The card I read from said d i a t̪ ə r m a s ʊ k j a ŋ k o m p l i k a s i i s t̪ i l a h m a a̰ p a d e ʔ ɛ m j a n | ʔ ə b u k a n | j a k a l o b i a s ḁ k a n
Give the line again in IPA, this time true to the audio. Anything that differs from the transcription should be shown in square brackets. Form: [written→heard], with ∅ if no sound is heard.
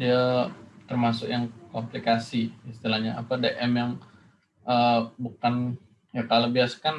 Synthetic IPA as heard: d i a t̪ ə r m a s ʊ k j a ŋ k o m p l i k a s i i s t̪ i l a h [m→ɲ] a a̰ p a d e ʔ ɛ m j a [n→ŋ] | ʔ ə b u k a n | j a k a l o b i a s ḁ k a n